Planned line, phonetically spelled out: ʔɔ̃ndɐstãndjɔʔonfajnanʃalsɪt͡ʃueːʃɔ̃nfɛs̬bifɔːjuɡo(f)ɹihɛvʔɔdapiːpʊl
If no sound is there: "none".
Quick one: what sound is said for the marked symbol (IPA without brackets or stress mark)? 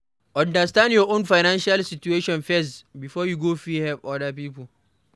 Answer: f